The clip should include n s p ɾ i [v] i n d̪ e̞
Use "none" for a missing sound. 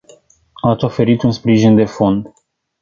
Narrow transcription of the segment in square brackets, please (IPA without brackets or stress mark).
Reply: ʒ